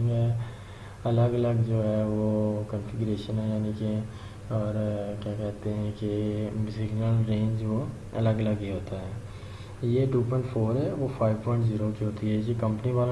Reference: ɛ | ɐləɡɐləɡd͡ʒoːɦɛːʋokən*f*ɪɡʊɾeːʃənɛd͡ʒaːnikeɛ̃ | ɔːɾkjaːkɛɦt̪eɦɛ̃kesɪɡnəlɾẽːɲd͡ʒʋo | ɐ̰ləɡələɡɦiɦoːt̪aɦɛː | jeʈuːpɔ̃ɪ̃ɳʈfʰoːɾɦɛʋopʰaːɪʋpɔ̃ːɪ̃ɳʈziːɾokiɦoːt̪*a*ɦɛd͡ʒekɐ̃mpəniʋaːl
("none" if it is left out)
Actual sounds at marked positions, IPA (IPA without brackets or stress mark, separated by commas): f, i